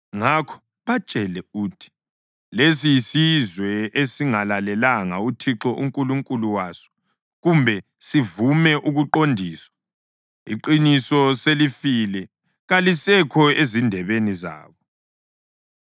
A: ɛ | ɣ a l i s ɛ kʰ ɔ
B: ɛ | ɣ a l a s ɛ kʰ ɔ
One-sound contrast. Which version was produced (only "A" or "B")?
A